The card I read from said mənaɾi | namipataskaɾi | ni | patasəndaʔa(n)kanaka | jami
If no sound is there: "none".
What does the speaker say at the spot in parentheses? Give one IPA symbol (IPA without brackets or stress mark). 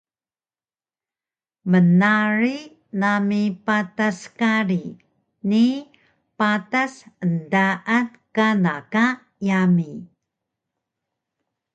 n